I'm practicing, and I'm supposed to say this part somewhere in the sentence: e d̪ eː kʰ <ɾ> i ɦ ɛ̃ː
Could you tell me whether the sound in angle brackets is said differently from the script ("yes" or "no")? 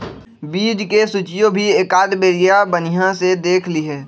yes